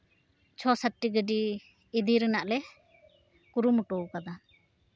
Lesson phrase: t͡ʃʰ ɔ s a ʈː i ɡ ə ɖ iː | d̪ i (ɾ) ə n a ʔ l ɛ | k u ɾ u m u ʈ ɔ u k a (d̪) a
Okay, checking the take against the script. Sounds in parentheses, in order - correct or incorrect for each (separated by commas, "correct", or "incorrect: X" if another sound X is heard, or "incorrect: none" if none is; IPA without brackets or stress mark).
correct, correct